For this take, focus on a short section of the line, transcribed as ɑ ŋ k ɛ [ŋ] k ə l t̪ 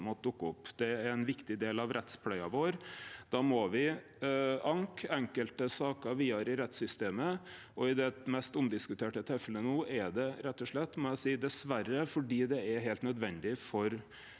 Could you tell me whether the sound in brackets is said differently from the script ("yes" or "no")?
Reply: no